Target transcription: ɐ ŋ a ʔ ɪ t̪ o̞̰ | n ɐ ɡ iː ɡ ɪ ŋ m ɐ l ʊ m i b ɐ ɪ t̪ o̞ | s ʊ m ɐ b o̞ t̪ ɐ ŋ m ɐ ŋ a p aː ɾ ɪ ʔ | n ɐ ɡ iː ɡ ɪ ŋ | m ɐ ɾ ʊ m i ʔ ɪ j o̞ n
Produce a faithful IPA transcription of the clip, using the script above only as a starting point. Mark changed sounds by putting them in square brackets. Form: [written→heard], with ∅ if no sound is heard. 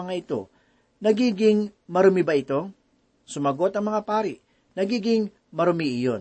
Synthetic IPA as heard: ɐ ŋ a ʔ ɪ t̪ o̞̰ | n ɐ ɡ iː ɡ ɪ ŋ m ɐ [l→ɾ] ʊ m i b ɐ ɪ t̪ o̞ | s ʊ m ɐ [b→ɡ] o̞ t̪ ɐ ŋ m ɐ ŋ a p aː ɾ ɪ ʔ | n ɐ ɡ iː ɡ ɪ ŋ | m ɐ ɾ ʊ m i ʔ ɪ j o̞ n